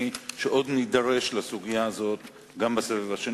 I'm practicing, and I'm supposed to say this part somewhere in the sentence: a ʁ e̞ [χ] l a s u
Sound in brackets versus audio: incorrect: ʃ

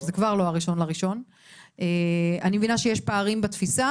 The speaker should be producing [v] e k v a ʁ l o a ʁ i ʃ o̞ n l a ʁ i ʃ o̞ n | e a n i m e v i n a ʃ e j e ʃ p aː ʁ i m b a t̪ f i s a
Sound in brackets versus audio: incorrect: z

